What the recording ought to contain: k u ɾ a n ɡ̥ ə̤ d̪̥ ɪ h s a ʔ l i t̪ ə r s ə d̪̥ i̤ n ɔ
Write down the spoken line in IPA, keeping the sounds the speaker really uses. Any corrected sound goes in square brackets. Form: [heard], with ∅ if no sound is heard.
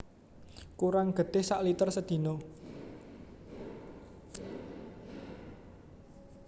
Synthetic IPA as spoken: k u ɾ a [ŋ] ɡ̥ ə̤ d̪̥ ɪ h s a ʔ l i t̪ ə r s ə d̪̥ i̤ n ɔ